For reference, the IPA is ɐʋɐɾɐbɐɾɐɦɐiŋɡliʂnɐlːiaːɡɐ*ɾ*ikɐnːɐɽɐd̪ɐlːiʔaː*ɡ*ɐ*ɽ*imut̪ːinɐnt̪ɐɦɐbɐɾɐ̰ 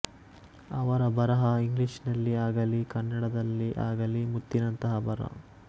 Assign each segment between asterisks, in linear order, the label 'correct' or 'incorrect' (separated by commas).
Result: incorrect, correct, incorrect